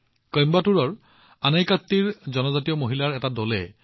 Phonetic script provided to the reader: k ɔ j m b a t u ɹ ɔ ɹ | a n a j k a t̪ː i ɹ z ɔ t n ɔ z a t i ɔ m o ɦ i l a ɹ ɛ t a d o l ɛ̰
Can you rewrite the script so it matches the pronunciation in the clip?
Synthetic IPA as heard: k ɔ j m b a t u ɹ ɔ ɹ | a n a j k a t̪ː i ɹ z ɔ n ɔ z a t i ɔ m o ɦ i l a ɹ ɛ t a d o l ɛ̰